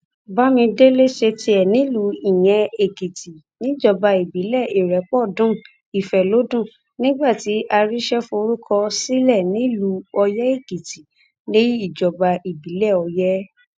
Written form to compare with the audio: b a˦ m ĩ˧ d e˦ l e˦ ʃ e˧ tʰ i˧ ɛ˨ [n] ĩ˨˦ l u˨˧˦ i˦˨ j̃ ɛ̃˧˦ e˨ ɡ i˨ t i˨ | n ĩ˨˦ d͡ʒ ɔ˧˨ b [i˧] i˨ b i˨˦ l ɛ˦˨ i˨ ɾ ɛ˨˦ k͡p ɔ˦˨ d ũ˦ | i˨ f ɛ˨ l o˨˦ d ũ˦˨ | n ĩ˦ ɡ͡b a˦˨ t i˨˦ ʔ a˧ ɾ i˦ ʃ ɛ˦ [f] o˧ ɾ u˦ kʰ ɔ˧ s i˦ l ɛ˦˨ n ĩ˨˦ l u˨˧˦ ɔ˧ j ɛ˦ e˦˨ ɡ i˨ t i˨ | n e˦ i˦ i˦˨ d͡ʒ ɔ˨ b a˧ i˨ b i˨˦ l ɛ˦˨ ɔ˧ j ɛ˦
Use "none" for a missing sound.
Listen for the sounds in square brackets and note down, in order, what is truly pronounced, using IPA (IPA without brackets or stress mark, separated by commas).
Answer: n, a˧, f